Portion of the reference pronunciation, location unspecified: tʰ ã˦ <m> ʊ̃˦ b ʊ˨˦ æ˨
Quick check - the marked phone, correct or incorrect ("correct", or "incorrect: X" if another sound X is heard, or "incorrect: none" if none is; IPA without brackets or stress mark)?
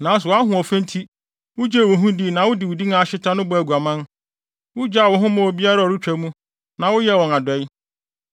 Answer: incorrect: n